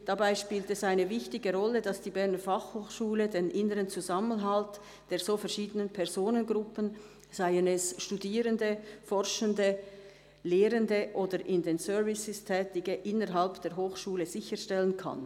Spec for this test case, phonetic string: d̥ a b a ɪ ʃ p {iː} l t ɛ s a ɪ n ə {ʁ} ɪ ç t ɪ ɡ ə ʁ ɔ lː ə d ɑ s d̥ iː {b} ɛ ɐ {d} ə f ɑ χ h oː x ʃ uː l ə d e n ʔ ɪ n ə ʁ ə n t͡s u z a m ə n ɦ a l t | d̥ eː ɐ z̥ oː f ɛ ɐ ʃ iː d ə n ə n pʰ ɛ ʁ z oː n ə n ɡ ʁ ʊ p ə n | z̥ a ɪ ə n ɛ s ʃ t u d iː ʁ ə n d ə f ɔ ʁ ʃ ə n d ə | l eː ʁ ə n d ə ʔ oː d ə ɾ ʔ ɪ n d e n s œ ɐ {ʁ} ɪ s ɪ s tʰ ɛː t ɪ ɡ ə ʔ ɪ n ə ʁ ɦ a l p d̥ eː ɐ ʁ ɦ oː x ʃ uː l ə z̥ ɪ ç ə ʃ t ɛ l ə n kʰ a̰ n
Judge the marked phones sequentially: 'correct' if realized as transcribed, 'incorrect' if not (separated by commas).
correct, incorrect, correct, incorrect, incorrect